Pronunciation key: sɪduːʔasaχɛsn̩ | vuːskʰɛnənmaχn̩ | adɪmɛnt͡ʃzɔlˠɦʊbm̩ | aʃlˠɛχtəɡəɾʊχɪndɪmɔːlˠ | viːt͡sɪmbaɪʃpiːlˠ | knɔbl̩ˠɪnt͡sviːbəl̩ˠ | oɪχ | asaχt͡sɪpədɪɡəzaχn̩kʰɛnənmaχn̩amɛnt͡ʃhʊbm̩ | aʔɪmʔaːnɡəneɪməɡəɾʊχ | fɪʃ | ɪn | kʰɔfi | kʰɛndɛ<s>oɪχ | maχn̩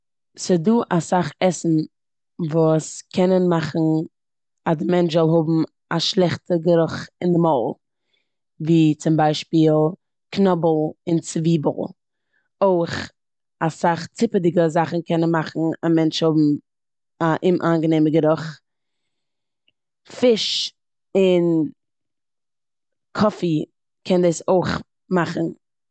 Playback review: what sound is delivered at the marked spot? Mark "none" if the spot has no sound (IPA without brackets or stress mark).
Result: s